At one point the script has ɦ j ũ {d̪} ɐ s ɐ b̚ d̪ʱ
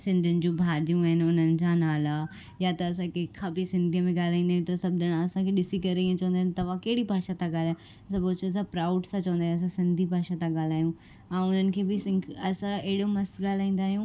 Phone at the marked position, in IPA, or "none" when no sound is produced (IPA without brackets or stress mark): t̪